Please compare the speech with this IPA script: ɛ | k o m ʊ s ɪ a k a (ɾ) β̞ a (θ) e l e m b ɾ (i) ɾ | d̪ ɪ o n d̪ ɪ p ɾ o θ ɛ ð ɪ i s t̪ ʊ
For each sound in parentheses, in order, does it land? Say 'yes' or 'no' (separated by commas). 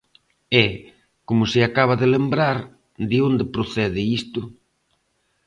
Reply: no, no, no